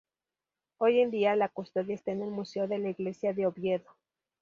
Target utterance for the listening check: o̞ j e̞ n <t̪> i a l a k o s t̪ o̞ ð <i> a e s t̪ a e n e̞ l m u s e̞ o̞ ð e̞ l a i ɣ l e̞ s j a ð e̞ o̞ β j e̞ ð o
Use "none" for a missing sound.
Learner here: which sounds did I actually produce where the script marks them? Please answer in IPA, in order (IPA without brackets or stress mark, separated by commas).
d̪, j